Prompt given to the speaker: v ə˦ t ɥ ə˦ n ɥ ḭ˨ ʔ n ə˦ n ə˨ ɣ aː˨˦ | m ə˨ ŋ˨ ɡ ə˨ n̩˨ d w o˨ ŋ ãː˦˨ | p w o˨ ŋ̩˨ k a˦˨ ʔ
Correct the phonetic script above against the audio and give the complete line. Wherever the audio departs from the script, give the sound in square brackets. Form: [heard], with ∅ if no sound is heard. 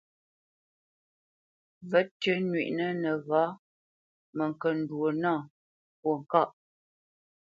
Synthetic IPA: v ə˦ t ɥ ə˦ n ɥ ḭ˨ ʔ n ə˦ n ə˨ ɣ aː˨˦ | m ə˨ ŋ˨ [k] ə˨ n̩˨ d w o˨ [n] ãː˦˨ | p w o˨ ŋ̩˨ k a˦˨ ʔ